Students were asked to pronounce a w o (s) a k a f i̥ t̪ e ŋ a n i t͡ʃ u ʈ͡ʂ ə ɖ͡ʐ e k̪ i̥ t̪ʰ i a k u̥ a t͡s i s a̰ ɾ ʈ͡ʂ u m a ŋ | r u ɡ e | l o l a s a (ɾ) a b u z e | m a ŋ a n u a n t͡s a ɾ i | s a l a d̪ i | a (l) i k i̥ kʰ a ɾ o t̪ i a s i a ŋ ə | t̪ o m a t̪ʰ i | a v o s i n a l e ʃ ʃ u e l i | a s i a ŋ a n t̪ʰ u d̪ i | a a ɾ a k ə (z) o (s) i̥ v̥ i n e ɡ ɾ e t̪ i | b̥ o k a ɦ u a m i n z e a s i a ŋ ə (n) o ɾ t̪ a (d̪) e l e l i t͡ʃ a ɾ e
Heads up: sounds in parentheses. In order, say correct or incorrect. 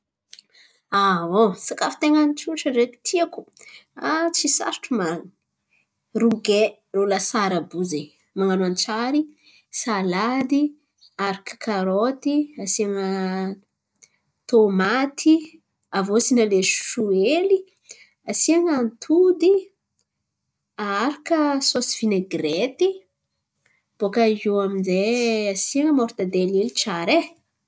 correct, correct, incorrect: ɾ, incorrect: s, correct, incorrect: m, correct

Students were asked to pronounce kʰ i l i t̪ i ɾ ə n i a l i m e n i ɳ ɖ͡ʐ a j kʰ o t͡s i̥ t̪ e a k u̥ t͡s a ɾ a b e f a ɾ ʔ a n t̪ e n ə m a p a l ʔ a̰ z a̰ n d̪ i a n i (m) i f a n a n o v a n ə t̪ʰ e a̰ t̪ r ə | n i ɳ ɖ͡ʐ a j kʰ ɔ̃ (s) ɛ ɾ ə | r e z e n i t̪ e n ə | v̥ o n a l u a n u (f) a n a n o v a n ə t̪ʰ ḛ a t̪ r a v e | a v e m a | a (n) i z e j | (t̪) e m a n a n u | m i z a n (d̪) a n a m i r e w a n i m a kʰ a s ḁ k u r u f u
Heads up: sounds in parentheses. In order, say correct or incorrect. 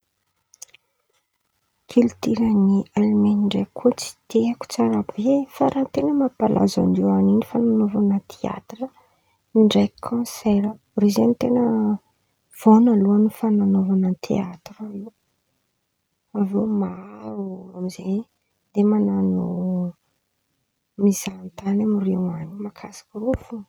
incorrect: n, correct, correct, incorrect: m, incorrect: d̪, incorrect: t̪

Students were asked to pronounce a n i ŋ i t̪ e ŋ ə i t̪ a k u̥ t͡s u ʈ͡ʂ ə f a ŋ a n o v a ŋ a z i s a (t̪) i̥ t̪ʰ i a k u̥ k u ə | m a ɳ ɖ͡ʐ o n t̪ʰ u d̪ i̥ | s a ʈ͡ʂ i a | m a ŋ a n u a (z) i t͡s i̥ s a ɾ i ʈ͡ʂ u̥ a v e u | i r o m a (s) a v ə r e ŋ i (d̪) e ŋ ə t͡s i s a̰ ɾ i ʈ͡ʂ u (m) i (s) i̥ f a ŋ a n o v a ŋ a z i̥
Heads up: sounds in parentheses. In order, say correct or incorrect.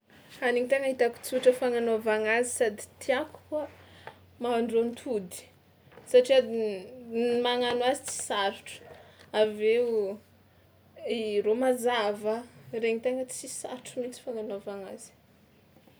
incorrect: d̪, correct, incorrect: z, incorrect: t̪, correct, incorrect: t͡s

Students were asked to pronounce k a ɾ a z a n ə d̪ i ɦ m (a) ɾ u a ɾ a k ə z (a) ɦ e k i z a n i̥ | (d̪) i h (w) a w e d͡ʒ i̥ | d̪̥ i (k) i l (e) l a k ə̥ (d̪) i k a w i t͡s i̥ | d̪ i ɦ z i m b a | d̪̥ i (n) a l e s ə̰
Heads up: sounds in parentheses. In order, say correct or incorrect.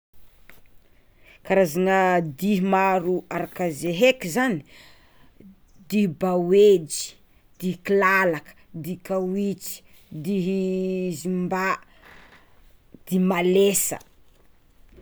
correct, incorrect: e, correct, incorrect: b, correct, incorrect: a, correct, incorrect: m

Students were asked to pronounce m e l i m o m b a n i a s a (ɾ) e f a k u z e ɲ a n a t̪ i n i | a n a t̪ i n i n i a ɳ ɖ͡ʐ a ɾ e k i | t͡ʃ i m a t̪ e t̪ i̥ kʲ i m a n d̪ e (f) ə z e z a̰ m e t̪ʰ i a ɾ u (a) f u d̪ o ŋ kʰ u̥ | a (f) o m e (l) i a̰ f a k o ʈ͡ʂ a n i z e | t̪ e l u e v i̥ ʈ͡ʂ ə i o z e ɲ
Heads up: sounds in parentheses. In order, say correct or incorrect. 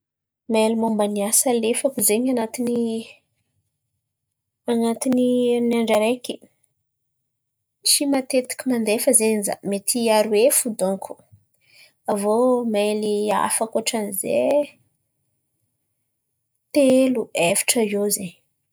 incorrect: l, correct, incorrect: e, incorrect: v, correct

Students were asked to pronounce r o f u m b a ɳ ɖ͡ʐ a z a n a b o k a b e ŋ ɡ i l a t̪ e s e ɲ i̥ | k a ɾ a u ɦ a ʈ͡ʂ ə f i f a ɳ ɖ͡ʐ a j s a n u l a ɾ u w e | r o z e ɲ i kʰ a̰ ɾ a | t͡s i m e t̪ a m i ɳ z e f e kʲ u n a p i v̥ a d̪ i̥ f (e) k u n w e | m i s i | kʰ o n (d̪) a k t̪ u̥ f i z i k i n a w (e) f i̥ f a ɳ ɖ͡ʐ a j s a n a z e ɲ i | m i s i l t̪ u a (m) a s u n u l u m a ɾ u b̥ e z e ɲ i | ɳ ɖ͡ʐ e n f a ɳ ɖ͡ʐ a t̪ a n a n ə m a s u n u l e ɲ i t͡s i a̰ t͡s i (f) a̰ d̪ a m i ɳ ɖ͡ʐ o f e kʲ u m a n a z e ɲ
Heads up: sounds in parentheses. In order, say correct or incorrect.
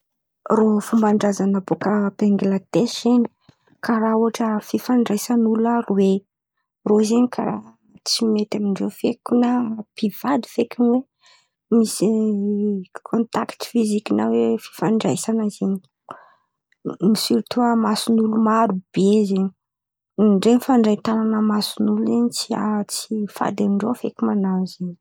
correct, incorrect: t̪, correct, correct, correct

